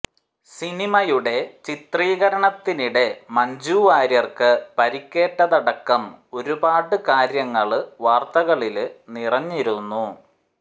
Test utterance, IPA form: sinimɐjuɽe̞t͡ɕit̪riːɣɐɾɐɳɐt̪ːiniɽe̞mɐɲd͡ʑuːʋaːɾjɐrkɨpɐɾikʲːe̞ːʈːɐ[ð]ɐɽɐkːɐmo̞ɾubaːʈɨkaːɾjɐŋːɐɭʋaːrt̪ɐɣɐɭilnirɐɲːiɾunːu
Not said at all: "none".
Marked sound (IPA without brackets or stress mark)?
ð